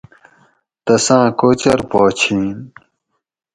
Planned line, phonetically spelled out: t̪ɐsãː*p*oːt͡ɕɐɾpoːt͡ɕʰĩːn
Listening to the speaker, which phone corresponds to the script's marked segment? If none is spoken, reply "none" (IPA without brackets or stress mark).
k